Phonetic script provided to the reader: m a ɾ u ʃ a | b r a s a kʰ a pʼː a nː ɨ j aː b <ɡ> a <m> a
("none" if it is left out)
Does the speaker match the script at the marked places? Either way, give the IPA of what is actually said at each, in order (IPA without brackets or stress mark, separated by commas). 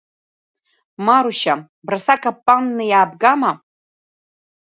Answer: ɡ, m